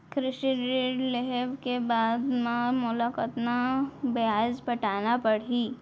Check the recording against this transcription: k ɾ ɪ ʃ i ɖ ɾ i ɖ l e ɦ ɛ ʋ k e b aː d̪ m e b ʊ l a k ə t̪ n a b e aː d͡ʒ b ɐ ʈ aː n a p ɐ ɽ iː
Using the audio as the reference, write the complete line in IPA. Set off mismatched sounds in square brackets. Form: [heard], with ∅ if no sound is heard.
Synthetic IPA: k ɾ ɪ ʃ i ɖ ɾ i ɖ l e ɦ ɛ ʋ k e b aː d̪ m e [m] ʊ l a k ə t̪ n a b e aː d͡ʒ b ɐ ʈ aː n a p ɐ ɽ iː

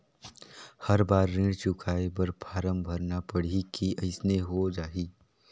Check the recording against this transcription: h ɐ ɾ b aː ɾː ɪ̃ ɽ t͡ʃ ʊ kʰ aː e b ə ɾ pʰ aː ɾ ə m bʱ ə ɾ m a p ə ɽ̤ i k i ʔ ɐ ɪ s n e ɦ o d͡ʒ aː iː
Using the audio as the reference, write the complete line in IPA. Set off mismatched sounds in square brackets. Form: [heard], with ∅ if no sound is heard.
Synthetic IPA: h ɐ ɾ b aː ɾː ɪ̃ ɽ t͡ʃ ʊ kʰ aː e b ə ɾ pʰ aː ɾ ə m bʱ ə ɾ [n] a p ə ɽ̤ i k i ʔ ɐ ɪ s n e ɦ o d͡ʒ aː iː

